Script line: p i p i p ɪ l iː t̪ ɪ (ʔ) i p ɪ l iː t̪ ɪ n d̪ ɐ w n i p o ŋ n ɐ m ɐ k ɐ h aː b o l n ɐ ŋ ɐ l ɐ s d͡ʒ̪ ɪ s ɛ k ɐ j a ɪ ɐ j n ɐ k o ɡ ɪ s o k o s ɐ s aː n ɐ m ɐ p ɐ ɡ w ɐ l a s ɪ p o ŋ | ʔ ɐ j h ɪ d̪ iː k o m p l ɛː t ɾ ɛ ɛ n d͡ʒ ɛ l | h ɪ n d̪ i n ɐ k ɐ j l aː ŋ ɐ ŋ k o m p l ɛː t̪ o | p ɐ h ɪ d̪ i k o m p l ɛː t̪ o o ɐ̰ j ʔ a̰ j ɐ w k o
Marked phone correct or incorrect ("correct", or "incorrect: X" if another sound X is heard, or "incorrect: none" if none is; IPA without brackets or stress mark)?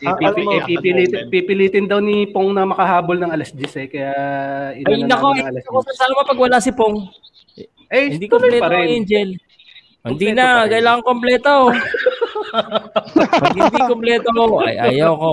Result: incorrect: p